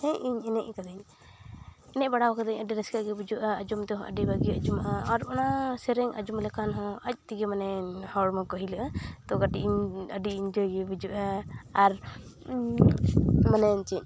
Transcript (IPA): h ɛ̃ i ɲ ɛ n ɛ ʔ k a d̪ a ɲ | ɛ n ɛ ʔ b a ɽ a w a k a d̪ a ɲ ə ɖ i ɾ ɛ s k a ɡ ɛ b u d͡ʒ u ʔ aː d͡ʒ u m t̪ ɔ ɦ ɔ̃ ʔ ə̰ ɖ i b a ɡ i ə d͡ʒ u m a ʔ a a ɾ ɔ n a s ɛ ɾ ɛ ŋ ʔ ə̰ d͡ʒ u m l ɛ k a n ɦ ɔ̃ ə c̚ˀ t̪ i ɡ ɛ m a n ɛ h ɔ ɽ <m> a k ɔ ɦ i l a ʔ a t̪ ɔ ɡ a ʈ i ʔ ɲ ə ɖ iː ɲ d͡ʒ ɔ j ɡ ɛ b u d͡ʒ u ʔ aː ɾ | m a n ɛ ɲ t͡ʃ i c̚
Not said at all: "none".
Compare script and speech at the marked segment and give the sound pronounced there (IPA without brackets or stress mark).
m